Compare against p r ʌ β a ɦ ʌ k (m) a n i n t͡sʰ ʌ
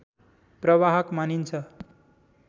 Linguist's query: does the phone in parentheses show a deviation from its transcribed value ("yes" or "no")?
no